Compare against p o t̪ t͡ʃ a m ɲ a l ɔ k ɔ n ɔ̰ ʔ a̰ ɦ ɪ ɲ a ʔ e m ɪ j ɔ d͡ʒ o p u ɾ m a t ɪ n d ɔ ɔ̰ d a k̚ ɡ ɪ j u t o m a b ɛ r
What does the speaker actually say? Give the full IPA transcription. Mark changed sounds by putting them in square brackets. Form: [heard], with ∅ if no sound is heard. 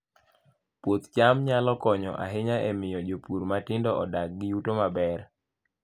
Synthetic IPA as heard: p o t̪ t͡ʃ a m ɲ a l ɔ k ɔ [ɲ] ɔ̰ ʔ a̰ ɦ ɪ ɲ a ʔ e m ɪ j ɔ d͡ʒ o p u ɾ m a t ɪ n d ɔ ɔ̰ d a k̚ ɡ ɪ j u t o m a b ɛ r